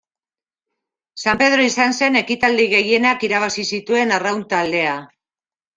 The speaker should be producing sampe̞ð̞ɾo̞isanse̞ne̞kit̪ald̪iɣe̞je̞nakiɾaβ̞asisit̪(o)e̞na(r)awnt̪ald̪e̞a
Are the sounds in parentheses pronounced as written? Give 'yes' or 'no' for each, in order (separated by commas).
no, yes